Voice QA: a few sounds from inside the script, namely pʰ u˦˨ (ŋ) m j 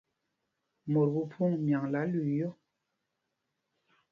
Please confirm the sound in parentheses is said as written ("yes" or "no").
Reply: yes